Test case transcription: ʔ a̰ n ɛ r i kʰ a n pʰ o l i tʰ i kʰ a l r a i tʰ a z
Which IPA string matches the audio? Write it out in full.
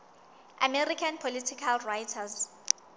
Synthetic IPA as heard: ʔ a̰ m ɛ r i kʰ a n pʰ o l i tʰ i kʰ a l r a j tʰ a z